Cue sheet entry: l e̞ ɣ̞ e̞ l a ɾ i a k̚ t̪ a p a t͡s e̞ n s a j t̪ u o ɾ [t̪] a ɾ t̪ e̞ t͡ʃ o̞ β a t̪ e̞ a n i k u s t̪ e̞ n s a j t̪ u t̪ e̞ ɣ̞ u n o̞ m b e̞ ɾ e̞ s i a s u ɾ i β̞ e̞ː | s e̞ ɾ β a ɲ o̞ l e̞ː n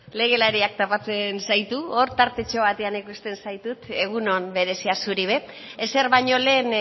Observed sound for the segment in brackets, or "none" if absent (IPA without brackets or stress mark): t̪